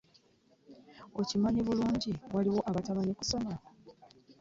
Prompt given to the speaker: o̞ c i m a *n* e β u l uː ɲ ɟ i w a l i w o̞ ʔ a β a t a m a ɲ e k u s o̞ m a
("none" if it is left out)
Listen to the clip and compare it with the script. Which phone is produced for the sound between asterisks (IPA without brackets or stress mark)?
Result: ɲ